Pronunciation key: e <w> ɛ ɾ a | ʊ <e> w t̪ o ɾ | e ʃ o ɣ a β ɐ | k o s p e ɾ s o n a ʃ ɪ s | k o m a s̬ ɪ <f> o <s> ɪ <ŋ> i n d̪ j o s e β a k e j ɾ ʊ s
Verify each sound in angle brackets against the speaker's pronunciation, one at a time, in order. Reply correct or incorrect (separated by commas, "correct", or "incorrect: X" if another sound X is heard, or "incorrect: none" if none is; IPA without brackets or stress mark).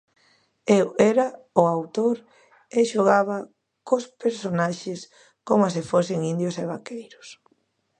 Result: correct, incorrect: a, correct, correct, correct